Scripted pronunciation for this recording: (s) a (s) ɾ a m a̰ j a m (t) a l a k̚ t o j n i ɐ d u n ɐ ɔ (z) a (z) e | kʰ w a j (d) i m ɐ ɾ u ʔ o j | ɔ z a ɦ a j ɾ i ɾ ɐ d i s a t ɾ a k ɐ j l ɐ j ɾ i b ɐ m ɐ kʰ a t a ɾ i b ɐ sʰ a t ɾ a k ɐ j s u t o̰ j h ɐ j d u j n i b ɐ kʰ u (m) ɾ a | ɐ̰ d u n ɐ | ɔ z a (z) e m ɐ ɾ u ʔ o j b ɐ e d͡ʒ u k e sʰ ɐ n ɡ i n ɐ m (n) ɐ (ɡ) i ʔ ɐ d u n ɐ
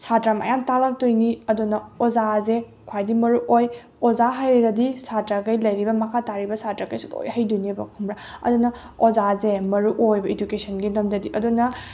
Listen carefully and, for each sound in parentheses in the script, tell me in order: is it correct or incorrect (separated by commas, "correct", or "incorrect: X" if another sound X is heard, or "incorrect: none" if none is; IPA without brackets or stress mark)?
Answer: correct, incorrect: t, correct, correct, correct, correct, correct, correct, incorrect: d, incorrect: d